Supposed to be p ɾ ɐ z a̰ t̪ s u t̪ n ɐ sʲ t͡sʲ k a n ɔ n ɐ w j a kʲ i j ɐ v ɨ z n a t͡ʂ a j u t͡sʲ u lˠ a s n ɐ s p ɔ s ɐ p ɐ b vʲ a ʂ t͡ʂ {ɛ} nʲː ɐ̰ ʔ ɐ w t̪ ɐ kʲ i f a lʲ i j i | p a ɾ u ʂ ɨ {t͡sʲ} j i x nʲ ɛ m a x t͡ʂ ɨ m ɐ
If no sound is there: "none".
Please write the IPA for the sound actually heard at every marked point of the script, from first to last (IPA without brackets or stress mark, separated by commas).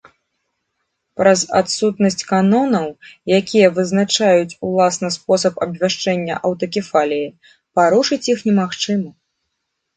ɛ, t͡sʲ